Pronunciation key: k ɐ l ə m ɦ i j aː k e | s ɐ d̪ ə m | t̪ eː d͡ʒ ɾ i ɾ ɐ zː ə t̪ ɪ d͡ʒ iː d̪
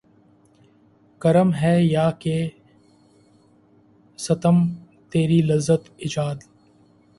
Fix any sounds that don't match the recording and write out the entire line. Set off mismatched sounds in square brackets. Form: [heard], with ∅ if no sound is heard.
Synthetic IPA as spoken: k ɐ [ɾ] ə m ɦ [ɛ] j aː k e | s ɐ [t̪] ə m | t̪ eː [∅] ɾ i [l] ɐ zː ə t̪ ɪ d͡ʒ [aː] d̪